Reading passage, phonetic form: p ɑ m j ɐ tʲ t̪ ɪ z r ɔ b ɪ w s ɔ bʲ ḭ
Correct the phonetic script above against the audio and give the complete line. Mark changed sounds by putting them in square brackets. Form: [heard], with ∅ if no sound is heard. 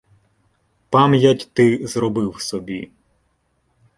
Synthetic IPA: p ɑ m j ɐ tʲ t̪ ɪ z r ɔ b ɪ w s ɔ bʲ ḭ